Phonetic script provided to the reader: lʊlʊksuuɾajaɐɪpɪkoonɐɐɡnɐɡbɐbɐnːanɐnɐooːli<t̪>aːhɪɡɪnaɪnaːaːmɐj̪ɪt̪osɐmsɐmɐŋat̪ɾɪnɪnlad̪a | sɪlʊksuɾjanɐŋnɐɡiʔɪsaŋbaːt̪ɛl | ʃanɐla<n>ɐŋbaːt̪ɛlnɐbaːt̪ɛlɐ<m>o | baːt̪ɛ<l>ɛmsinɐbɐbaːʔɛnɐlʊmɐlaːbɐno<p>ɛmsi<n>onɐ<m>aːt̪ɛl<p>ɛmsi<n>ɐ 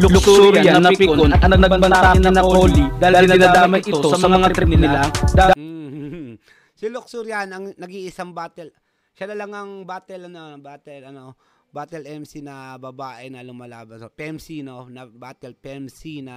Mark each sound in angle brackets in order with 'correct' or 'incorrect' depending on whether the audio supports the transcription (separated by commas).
incorrect, incorrect, incorrect, correct, correct, correct, incorrect, correct, correct